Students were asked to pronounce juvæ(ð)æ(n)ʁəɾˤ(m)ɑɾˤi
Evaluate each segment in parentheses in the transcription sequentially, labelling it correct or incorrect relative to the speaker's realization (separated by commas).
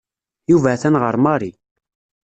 incorrect, correct, correct